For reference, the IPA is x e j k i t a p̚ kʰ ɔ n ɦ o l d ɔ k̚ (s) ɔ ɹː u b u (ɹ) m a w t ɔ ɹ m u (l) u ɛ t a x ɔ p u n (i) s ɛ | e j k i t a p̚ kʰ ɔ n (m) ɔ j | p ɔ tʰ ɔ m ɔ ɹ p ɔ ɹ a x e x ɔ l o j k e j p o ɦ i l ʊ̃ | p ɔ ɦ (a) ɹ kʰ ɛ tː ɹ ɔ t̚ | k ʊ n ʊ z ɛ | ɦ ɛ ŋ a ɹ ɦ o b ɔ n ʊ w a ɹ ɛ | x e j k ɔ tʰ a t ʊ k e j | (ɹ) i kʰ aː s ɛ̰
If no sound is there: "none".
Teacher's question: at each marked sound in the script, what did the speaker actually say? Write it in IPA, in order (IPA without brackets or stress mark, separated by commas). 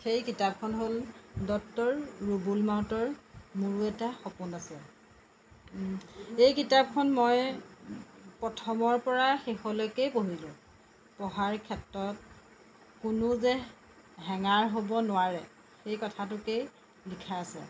t, l, ɹ, a, m, a, l